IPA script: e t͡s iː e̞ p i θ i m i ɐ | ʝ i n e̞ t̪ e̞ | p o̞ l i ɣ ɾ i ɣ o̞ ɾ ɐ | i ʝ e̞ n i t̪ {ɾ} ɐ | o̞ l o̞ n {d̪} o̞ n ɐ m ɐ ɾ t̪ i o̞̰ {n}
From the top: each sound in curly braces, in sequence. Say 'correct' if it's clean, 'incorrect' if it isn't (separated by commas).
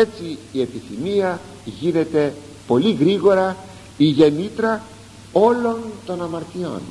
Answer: correct, incorrect, correct